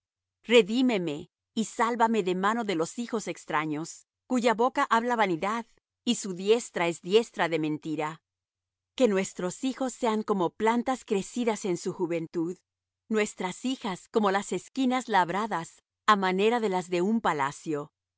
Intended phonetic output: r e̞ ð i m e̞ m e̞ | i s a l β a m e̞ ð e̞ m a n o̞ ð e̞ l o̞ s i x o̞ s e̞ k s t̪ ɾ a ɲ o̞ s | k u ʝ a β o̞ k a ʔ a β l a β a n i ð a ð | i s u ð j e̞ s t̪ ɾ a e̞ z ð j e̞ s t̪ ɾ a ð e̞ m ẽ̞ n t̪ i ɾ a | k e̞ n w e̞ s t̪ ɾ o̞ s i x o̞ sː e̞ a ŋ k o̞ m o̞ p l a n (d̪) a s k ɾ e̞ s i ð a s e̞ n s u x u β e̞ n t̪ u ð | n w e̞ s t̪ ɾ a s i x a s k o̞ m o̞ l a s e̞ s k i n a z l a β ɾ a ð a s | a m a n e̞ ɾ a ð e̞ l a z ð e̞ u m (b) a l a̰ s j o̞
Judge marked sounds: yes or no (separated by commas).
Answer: no, no